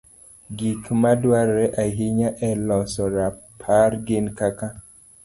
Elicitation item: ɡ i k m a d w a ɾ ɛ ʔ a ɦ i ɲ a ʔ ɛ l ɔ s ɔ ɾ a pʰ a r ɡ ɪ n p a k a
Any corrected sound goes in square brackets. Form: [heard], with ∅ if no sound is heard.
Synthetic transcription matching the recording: ɡ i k m a d w a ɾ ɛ ʔ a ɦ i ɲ a ʔ ɛ l ɔ s ɔ ɾ a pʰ a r ɡ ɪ n [k] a k a